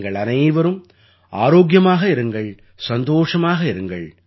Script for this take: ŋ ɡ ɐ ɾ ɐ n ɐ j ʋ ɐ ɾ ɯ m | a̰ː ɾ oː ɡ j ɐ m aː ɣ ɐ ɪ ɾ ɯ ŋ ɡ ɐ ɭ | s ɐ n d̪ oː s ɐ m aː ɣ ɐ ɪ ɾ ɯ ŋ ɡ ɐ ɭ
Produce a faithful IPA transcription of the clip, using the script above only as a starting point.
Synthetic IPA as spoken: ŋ ɡ ɐ ɭ ɐ n ɐ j ʋ ɐ ɾ ɯ m | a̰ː ɾ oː ɡ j ɐ m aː ɣ ɐ ɪ ɾ ɯ ŋ ɡ ɐ ɭ | s ɐ n d̪ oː ʂ ɐ m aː ɣ ɐ ɪ ɾ ɯ ŋ ɡ ɐ ɭ